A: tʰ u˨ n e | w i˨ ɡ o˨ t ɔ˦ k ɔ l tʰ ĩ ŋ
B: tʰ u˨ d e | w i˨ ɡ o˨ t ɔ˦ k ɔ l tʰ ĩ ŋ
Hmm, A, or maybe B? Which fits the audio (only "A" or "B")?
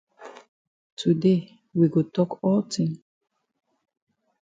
B